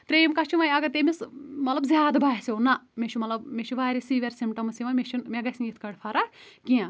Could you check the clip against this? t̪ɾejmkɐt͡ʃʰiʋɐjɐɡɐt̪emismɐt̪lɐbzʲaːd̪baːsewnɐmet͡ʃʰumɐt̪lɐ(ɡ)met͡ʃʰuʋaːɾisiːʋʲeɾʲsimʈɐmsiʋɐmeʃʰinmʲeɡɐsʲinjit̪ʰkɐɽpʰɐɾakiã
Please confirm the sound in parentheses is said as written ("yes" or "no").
no